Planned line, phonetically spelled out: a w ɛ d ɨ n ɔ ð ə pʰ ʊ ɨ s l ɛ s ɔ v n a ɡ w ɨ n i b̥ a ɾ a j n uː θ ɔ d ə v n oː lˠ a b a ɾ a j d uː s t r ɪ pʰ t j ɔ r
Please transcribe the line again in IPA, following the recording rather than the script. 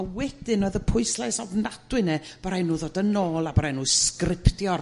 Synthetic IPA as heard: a w ɛ d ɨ n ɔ ð ə pʰ ʊ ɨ s l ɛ s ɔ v n a d w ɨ n ɛ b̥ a ɾ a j n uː ð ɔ d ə n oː lˠ a b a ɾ a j n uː s k r ɪ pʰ t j ɔ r